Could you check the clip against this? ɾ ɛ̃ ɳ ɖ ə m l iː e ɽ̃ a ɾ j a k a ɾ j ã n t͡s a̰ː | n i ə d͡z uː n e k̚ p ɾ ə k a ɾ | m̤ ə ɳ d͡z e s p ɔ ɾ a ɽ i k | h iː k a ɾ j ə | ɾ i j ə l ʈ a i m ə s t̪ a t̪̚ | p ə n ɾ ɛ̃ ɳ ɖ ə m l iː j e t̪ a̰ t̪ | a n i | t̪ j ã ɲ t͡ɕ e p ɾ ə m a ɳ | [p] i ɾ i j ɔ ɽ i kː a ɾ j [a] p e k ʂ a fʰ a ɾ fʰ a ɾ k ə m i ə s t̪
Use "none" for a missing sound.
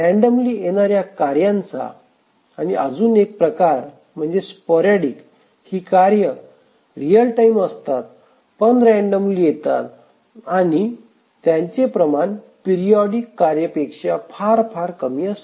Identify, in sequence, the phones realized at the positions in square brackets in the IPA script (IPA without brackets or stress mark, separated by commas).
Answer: p, ə